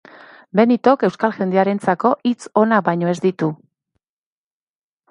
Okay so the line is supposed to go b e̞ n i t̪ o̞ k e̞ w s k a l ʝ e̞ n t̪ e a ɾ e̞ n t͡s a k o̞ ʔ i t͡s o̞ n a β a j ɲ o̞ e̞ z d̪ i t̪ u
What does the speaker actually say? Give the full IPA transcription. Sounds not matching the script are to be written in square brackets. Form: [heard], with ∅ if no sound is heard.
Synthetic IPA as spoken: b e̞ n i t̪ o̞ k e̞ w s k a l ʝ e̞ n [d̪] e a ɾ e̞ n t͡s a k o̞ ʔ i t͡s o̞ n a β a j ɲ o̞ e̞ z d̪ i t̪ u